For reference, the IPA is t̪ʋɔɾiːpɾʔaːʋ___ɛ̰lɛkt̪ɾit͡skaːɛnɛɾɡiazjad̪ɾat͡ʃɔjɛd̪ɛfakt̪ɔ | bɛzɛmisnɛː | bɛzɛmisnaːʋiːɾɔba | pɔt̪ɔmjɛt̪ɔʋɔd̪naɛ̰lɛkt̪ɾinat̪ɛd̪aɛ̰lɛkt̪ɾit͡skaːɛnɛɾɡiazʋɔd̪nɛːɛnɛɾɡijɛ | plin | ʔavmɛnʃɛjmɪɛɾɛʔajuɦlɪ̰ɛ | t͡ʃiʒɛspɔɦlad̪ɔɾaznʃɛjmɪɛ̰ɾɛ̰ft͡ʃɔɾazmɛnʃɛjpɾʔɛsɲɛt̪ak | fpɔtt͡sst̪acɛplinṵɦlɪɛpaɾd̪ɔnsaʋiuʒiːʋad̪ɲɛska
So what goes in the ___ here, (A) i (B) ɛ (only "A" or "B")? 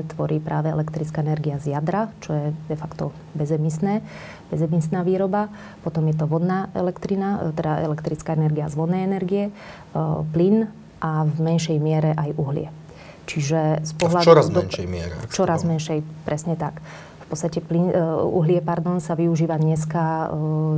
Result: B